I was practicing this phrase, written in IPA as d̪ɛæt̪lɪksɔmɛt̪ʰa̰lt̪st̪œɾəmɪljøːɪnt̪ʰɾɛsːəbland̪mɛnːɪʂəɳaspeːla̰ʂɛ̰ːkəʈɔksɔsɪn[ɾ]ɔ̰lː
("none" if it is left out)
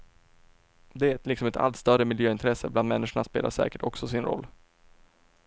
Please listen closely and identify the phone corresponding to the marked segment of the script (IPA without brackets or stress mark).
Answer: ɾ